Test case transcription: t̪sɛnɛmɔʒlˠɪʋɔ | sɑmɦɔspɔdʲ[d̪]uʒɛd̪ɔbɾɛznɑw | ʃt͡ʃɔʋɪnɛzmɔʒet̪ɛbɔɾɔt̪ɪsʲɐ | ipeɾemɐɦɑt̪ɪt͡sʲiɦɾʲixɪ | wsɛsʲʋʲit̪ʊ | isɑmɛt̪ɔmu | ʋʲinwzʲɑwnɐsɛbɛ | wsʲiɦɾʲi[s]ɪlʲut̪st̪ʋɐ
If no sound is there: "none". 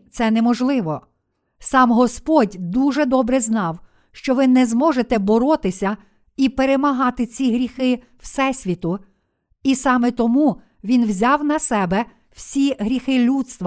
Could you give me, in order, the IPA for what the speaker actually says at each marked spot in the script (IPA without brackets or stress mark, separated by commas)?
d̪, x